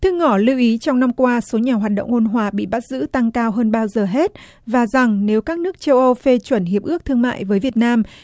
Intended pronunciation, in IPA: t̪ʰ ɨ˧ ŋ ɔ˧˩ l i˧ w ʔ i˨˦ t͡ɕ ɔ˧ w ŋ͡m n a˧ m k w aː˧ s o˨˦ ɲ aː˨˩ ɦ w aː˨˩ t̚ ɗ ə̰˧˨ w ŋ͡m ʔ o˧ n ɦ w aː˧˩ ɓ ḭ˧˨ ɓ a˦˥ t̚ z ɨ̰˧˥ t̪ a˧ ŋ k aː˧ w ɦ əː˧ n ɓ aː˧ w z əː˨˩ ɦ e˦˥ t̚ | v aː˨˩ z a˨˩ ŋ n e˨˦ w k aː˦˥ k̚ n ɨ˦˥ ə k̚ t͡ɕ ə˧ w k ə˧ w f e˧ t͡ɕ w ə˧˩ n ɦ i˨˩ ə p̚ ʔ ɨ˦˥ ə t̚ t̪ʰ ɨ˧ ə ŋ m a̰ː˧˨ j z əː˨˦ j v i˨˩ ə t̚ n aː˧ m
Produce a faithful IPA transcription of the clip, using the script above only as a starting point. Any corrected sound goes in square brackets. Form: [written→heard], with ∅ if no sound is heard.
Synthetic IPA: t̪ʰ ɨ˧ ŋ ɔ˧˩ l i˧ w ʔ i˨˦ t͡ɕ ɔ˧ w ŋ͡m n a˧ m k w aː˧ s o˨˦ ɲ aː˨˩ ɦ w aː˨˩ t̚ ɗ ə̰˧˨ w ŋ͡m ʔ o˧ n ɦ w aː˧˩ ɓ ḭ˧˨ ɓ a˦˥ t̚ z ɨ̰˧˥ t̪ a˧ ŋ k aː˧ w ɦ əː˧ n ɓ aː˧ w z əː˨˩ ɦ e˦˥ t̚ | v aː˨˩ z a˨˩ ŋ n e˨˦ w k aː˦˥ k̚ n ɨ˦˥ ə k̚ t͡ɕ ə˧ w [k→ʔ] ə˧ w f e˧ t͡ɕ w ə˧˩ n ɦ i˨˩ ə p̚ ʔ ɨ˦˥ ə [t̚→k̚] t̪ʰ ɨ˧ ə ŋ m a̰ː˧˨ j [z→v] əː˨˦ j v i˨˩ ə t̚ n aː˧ m

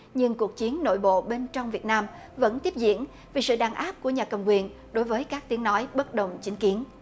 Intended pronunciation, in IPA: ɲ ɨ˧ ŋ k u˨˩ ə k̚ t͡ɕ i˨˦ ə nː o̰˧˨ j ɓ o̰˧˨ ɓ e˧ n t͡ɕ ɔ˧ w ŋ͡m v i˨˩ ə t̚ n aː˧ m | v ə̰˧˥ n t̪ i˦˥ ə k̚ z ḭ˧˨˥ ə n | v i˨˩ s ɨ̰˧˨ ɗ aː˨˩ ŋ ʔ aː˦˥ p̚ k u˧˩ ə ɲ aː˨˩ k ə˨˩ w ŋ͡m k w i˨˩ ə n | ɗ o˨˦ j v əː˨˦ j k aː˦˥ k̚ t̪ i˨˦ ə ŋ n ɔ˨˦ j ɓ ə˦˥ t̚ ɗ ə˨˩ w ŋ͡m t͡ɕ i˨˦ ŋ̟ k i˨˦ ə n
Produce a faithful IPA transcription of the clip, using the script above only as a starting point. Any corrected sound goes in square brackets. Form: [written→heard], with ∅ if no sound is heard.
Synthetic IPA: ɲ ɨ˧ ŋ k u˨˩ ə k̚ t͡ɕ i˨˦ ə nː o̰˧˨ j ɓ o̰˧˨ ɓ e˧ n t͡ɕ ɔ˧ w ŋ͡m v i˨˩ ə t̚ n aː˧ m | v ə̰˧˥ n t̪ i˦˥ ə [k̚→p̚] z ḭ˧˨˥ ə n | v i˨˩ s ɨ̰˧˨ ɗ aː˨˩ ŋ ʔ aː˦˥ p̚ k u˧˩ ə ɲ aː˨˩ k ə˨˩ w ŋ͡m k w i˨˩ ə n | ɗ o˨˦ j v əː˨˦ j k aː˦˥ k̚ t̪ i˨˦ ə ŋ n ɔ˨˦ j ɓ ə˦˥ t̚ ɗ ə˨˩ w ŋ͡m t͡ɕ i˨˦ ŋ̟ k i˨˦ ə n

